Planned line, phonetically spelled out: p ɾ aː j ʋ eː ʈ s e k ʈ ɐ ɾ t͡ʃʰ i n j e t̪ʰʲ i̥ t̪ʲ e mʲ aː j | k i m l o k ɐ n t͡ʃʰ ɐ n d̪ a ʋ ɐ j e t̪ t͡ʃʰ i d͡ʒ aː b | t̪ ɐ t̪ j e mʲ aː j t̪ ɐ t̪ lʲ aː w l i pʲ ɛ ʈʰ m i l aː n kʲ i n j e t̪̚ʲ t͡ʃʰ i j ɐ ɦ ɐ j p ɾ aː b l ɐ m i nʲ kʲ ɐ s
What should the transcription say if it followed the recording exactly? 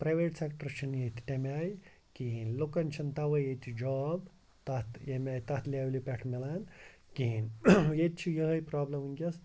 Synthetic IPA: p ɾ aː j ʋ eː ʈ s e k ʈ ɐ ɾ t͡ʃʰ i n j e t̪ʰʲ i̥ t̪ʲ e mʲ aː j | k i n l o k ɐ n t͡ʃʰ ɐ n t̪ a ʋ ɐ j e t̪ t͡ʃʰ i d͡ʒ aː b | t̪ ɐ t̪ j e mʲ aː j t̪ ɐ t̪ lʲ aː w l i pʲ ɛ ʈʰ m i l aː n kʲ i n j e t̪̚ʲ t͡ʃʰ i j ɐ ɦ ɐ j p ɾ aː b l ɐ m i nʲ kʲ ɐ s

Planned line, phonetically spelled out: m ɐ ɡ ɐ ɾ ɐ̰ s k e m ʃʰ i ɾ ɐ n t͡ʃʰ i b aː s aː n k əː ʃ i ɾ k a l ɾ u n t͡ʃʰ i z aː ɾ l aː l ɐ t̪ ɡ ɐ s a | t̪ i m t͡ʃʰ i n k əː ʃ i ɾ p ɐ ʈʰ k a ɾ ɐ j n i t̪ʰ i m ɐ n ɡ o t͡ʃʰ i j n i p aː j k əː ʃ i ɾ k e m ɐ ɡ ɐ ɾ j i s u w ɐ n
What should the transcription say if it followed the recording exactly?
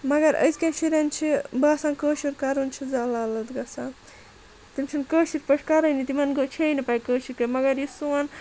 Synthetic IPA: m ɐ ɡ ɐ ɾ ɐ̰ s k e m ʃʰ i ɾ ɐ n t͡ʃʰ i b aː s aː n k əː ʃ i ɾ k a ɾ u n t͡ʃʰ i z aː l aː l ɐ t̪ ɡ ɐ s a | t̪ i m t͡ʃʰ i n k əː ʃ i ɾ p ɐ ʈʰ k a ɾ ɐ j n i t̪ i m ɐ n ɡ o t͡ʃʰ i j n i p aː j k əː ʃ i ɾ k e m ɐ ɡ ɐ ɾ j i s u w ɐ n

